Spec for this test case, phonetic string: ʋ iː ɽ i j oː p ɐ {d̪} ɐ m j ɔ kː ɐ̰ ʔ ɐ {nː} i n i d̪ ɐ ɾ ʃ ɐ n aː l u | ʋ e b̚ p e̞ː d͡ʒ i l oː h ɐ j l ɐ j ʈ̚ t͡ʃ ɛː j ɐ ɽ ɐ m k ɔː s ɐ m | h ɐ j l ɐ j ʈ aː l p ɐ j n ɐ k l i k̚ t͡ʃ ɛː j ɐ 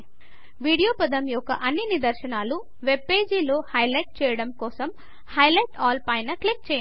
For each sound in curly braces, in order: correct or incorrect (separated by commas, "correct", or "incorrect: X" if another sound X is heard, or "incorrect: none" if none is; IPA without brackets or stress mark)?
correct, correct